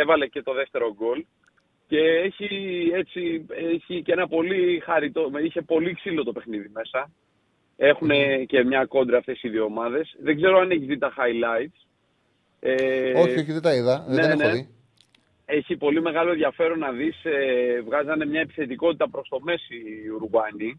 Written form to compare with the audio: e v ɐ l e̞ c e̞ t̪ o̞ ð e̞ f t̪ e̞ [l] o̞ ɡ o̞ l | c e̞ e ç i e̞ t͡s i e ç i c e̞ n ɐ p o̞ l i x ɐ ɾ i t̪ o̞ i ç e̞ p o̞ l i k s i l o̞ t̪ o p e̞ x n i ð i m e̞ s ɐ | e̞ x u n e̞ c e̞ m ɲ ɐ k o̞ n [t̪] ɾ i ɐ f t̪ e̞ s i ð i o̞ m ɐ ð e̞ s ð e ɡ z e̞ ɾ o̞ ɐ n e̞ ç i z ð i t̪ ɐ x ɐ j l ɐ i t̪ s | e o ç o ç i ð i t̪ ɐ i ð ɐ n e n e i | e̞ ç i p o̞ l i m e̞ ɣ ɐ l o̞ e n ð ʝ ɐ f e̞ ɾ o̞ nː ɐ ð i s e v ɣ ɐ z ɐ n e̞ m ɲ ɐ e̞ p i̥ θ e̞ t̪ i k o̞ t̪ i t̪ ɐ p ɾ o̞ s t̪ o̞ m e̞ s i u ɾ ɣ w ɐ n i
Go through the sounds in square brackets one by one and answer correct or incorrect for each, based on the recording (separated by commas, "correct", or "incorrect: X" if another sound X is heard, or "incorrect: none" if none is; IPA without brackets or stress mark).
incorrect: ɾ, incorrect: d̪